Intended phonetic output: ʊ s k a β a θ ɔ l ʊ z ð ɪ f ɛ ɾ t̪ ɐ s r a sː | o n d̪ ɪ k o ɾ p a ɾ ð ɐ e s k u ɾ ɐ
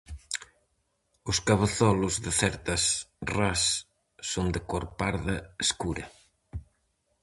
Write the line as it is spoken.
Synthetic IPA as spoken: ʊ s k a β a θ ɔ l ʊ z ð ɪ θ ɛ ɾ t̪ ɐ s r a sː | o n d̪ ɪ k o ɾ p a ɾ ð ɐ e s k u ɾ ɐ